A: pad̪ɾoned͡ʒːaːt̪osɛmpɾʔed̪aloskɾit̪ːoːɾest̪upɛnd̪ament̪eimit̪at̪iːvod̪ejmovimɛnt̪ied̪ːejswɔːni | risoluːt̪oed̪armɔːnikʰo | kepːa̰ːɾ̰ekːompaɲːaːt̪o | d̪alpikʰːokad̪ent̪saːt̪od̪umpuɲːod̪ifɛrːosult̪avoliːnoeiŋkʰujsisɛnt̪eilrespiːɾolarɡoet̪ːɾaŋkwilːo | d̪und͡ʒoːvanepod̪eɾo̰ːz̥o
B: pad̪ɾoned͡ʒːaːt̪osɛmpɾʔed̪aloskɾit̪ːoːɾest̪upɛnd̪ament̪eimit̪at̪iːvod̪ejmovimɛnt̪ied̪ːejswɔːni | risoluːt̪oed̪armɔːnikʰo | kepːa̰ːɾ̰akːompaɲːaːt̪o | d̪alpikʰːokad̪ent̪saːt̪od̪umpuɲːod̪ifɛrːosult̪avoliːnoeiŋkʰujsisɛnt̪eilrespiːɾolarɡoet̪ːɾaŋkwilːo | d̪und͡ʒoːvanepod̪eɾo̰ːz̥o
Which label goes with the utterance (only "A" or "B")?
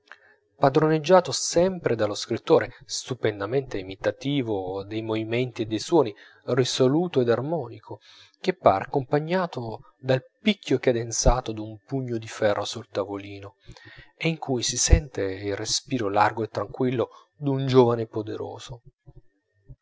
B